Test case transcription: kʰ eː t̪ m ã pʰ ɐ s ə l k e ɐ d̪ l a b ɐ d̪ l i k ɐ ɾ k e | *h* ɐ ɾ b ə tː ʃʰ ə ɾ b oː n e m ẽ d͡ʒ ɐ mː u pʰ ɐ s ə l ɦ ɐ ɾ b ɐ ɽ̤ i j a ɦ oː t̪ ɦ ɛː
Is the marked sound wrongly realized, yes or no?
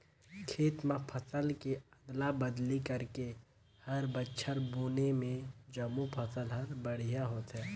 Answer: no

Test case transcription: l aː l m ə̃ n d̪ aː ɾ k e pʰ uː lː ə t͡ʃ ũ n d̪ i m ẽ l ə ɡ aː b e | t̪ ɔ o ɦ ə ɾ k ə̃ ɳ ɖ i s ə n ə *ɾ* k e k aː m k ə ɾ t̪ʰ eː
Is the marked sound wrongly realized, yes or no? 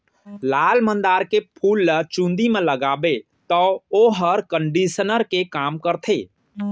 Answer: no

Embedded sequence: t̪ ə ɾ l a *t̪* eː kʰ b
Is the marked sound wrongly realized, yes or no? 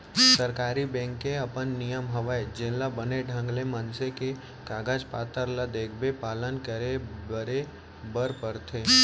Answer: yes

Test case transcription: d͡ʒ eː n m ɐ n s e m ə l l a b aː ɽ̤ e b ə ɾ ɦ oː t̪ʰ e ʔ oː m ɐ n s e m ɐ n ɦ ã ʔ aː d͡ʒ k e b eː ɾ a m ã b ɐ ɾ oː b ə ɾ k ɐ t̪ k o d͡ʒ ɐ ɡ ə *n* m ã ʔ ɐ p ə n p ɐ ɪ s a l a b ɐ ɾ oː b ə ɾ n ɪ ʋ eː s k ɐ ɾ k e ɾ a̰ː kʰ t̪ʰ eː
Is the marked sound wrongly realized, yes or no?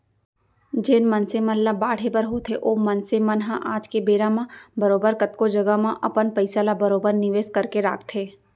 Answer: yes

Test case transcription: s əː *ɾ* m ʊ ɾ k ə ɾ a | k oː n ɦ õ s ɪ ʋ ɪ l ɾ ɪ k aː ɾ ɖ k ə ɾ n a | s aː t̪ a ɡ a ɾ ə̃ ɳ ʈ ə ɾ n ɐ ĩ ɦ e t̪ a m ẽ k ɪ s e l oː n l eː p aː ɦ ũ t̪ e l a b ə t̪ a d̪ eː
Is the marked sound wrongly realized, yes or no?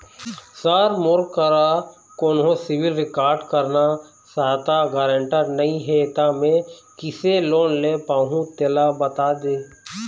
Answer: no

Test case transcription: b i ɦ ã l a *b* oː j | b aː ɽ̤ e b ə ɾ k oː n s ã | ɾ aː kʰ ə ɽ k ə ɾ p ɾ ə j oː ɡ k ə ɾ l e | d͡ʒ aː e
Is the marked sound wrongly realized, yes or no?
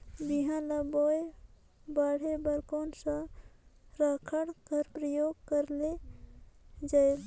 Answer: no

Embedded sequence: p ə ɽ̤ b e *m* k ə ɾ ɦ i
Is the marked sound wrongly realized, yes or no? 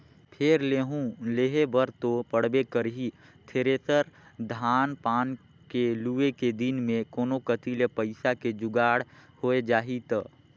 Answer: yes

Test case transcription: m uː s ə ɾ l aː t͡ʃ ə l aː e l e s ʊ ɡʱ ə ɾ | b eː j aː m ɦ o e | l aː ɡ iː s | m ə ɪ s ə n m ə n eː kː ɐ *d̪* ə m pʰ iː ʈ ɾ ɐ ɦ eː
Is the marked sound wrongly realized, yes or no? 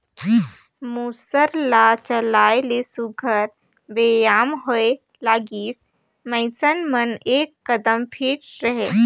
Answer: no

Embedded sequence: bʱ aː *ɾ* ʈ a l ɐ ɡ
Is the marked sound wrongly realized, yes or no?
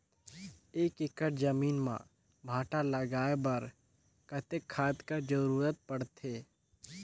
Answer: yes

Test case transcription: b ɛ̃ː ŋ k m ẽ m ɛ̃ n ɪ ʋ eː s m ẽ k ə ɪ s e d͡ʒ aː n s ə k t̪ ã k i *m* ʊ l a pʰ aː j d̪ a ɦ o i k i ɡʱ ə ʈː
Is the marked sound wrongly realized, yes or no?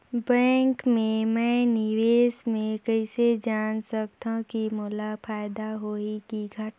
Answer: no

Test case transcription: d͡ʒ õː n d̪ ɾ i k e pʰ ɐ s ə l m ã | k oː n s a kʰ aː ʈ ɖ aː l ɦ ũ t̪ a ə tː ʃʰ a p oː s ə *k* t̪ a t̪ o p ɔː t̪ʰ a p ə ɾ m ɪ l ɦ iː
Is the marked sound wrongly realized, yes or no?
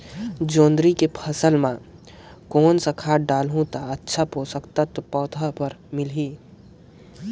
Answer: no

